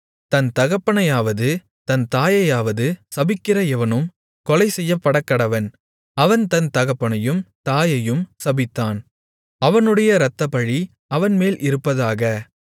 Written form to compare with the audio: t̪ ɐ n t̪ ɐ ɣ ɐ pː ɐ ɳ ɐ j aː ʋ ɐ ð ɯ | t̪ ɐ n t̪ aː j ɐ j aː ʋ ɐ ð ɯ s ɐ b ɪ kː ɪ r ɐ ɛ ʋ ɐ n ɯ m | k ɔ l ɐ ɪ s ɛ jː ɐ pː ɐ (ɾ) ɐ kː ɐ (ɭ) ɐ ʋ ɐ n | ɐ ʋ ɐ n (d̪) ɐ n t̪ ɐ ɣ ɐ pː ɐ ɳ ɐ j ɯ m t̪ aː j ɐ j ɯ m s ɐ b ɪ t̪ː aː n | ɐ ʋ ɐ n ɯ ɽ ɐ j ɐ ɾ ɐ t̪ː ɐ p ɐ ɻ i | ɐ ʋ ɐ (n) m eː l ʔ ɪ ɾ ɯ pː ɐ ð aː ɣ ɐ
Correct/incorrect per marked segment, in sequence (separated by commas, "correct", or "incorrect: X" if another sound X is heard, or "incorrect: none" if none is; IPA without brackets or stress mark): incorrect: ɽ, incorrect: ɽ, incorrect: t̪, correct